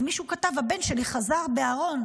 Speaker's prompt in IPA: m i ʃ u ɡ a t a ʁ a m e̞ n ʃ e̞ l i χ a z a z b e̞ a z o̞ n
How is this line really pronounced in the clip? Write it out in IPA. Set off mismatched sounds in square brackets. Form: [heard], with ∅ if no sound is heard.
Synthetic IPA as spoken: m i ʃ u [k] a t a [v] a [b] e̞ n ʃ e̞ l i χ a z a [ʁ] b e̞ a [ʁ] o̞ n